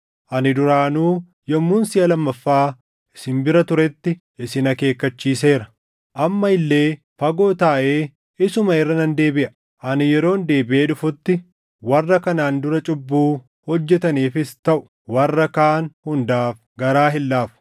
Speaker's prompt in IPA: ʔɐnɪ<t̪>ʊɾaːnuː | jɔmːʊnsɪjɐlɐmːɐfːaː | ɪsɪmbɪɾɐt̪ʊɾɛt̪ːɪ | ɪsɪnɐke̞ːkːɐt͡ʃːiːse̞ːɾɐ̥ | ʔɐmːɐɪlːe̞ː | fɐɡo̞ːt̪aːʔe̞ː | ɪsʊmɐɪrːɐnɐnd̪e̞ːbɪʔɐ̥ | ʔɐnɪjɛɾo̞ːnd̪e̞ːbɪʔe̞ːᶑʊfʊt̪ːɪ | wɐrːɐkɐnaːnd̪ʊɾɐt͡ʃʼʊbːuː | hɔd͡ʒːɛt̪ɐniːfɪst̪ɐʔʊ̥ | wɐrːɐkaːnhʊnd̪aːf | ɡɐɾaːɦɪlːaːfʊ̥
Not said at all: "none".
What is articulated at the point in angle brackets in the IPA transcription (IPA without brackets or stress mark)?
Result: d̪